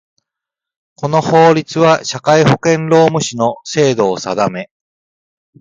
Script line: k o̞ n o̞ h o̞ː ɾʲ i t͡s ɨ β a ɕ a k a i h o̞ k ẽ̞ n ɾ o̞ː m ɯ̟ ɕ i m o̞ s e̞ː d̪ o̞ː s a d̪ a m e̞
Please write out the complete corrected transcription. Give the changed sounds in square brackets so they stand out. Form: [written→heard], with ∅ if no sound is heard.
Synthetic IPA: k o̞ n o̞ h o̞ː ɾʲ i t͡s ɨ β a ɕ a k a i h o̞ k ẽ̞ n ɾ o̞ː m ɯ̟ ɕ i [m→n] o̞ s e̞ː d̪ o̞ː s a d̪ a m e̞